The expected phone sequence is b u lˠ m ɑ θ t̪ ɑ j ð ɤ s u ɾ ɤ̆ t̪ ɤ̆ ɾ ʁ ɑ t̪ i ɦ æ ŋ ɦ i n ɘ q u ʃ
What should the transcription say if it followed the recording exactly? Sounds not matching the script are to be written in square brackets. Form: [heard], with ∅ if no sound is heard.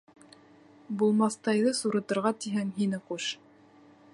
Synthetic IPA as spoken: b u lˠ m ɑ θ t̪ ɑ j ð ɤ s u ɾ ɤ̆ t̪ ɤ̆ ɾ ʁ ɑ t̪ i ɦ æ ŋ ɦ i n ɘ q u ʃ